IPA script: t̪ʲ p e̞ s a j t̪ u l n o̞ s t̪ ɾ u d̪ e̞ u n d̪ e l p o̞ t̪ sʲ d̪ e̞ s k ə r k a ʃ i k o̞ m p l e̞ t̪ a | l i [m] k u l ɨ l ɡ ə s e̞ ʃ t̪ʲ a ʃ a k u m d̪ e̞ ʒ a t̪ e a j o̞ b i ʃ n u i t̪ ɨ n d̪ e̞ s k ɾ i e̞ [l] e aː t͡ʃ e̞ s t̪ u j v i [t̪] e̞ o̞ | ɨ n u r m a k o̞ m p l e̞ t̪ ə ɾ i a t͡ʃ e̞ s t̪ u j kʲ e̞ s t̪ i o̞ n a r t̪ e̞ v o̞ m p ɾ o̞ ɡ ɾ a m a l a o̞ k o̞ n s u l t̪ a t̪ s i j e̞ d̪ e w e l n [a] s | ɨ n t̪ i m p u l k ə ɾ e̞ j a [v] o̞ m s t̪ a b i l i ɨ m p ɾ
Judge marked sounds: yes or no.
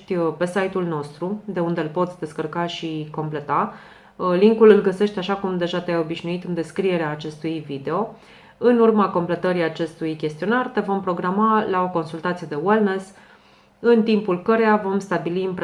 no, no, no, no, yes

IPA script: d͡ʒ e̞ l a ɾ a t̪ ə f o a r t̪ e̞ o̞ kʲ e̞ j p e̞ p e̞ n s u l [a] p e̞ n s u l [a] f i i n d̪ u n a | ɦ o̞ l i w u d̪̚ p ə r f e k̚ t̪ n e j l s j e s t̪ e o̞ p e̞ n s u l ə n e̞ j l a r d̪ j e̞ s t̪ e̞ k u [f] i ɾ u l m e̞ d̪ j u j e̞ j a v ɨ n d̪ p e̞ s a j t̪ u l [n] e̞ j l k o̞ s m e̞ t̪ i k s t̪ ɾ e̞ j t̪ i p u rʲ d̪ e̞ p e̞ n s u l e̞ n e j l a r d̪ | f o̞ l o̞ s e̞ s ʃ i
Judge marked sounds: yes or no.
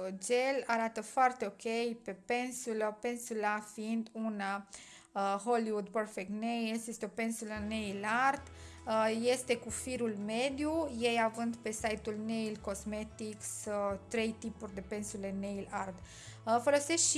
no, yes, yes, yes

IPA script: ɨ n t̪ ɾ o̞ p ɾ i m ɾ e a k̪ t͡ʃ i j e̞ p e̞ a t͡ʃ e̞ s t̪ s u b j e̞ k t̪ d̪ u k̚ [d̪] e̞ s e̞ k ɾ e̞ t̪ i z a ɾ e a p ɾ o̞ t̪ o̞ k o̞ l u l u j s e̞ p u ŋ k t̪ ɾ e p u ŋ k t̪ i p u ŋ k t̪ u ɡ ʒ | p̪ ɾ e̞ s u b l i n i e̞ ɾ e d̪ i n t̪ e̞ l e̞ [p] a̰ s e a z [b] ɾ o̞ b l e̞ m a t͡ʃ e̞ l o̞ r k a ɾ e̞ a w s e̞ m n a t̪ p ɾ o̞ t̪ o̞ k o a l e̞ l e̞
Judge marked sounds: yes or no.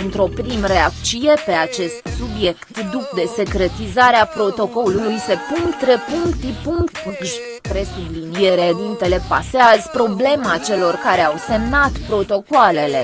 yes, yes, no

